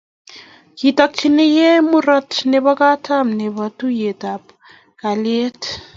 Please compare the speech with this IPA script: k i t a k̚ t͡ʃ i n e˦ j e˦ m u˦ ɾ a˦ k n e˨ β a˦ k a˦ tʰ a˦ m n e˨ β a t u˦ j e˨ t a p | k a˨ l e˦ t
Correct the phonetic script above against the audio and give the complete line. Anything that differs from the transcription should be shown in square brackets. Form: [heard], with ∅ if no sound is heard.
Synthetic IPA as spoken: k i t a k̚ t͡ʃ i n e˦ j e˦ m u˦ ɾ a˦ [t] n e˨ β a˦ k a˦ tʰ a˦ m n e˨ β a t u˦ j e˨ t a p | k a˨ l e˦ t